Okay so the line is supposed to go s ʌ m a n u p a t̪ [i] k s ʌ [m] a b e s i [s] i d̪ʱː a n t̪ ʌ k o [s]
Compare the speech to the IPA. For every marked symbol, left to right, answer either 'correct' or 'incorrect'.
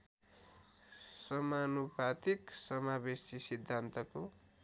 correct, correct, correct, incorrect: none

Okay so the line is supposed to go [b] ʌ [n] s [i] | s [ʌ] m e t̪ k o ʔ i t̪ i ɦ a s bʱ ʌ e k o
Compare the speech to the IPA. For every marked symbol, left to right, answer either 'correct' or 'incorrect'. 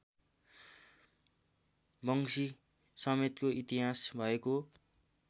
correct, incorrect: ŋ, correct, correct

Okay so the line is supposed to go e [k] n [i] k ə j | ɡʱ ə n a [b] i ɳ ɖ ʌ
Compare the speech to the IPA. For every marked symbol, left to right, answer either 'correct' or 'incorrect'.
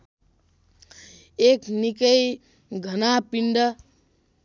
correct, correct, incorrect: p

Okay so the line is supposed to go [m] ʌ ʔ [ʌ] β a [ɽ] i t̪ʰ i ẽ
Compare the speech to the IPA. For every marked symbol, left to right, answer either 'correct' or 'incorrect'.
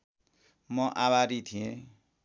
correct, incorrect: a, incorrect: ɾ

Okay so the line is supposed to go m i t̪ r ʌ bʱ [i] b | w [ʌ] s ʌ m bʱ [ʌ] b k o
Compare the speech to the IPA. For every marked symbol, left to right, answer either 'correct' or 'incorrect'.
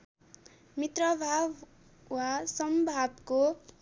incorrect: a, incorrect: a, incorrect: a

